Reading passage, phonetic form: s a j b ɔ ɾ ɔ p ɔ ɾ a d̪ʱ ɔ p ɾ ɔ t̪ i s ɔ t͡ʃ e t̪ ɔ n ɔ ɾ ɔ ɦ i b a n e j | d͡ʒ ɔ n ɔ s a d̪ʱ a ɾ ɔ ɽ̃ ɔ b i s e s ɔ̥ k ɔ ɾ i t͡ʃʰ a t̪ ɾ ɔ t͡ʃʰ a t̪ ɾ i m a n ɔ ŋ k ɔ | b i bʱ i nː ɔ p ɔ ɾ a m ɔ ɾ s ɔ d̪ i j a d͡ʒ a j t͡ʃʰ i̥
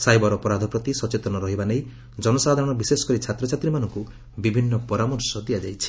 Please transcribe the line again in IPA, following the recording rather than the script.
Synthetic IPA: s a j b ɔ ɾ ɔ p ɔ ɾ a d̪ʱ ɔ p ɾ ɔ t̪ i s ɔ t͡ʃ e t̪ ɔ n ɔ ɾ ɔ ɦ i b a n e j | d͡ʒ ɔ n ɔ s a d̪ʱ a ɾ ɔ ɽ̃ ɔ b i s e s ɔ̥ k ɔ ɾ i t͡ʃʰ a t̪ ɾ ɔ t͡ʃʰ a t̪ ɾ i m a n ɔ ŋ k u | b i bʱ i nː ɔ p ɔ ɾ a m ɔ ɾ s ɔ d̪ i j a d͡ʒ a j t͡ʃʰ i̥